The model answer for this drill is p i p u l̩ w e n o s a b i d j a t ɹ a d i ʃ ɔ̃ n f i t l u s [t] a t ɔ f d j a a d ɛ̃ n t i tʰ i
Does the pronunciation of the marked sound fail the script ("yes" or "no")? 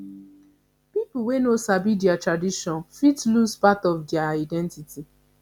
yes